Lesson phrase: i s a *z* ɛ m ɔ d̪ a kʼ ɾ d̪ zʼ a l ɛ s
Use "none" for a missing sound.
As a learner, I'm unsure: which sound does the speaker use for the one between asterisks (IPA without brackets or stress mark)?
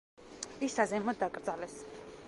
z